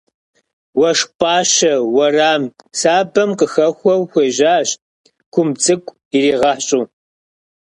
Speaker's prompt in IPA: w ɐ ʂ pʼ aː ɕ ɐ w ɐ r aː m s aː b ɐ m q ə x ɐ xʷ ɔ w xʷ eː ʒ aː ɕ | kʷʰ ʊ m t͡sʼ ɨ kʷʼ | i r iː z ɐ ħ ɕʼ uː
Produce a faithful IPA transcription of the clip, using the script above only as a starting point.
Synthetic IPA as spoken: w ɐ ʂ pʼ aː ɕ ɐ w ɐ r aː m s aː b ɐ m q ə x ɐ xʷ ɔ w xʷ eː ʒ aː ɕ | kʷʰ ʊ m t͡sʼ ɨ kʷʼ | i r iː ʁ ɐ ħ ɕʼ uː